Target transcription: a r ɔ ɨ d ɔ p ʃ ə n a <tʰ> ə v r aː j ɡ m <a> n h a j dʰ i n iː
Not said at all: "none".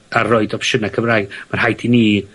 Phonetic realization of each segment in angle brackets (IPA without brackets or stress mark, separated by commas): kʰ, a